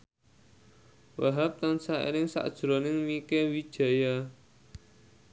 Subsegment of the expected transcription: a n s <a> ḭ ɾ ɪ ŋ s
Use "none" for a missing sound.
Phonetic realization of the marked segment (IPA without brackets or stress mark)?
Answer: a